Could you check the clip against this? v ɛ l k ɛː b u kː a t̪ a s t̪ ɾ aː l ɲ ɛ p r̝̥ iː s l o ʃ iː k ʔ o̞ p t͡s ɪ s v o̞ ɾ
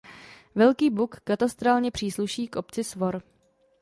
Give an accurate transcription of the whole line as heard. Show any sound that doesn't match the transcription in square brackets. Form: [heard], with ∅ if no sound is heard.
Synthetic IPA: v ɛ l k [iː] b u kː a t̪ a s t̪ ɾ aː l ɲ ɛ p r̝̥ iː s l [u] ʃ iː k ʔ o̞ p t͡s ɪ s v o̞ ɾ